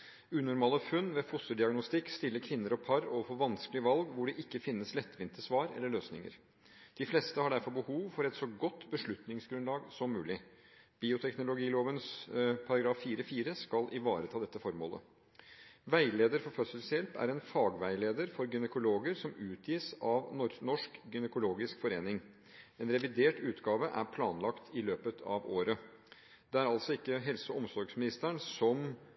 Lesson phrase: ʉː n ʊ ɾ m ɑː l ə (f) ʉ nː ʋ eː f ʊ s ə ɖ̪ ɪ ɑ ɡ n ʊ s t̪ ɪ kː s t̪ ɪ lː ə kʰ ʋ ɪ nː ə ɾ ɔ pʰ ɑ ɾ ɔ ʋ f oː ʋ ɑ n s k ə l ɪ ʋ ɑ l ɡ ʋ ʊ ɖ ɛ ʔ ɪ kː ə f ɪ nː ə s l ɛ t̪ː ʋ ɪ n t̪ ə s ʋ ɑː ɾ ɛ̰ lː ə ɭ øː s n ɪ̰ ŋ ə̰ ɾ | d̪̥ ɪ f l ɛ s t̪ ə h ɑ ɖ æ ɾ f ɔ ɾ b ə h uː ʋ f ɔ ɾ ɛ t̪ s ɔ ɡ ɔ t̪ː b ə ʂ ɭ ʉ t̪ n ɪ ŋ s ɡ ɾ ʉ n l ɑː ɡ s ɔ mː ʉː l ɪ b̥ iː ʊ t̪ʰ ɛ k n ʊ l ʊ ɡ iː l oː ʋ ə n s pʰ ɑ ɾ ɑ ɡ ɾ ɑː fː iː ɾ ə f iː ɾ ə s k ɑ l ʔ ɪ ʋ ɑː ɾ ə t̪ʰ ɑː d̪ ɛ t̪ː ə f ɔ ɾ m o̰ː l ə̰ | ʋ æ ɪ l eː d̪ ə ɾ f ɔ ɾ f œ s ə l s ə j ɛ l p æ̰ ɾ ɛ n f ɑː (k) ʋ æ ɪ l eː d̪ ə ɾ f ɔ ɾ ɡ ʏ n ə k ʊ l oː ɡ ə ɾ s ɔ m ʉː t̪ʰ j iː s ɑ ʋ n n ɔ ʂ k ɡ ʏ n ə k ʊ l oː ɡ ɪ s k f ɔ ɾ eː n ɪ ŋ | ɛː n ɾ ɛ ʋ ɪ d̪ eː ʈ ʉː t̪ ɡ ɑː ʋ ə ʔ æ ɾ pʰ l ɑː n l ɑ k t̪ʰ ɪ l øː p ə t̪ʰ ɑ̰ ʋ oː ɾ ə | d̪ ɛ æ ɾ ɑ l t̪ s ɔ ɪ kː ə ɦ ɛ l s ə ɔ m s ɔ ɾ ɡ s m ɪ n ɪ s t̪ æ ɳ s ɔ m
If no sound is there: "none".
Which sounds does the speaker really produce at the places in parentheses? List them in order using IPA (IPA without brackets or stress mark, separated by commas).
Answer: f, ɡ